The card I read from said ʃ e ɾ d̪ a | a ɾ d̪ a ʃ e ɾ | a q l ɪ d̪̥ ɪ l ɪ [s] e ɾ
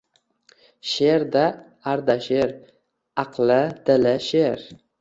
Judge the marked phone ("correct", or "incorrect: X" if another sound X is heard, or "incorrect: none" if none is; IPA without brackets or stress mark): incorrect: ʃ